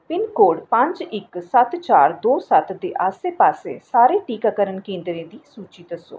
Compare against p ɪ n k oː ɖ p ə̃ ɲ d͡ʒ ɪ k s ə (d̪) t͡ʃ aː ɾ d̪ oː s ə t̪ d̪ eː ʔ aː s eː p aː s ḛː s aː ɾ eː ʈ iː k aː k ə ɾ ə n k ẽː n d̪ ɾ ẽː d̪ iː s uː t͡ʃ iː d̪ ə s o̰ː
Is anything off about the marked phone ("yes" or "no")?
yes